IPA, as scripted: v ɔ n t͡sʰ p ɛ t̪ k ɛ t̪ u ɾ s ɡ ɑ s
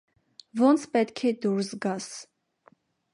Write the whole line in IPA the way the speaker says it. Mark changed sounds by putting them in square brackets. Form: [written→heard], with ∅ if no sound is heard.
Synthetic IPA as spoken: v ɔ n t͡sʰ p ɛ t̪ [k→kʰ] ɛ [t̪→d̪] u ɾ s ɡ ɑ s